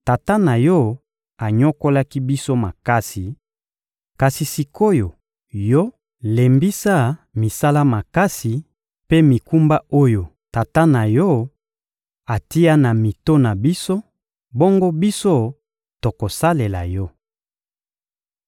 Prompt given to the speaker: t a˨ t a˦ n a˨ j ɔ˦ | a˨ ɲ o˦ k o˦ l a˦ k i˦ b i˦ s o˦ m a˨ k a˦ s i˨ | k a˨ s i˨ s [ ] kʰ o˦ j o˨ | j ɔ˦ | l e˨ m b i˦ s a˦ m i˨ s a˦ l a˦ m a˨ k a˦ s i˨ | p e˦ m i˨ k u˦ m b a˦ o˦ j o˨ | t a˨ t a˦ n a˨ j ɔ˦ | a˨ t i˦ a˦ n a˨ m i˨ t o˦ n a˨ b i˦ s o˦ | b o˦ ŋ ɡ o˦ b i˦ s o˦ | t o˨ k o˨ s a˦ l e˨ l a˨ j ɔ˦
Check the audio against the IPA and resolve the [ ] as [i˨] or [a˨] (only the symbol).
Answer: i˨